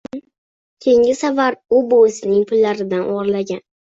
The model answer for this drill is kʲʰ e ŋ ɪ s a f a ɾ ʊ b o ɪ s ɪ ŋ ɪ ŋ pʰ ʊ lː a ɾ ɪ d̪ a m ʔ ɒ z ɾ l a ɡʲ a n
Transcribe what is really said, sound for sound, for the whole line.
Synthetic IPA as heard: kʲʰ e ŋ ɪ s a v a ɾ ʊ b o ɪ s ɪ n ɪ ŋ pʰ ʊ lː a ɾ ɪ d̪ a n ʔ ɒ ʁ ɾ l a ɡʲ a n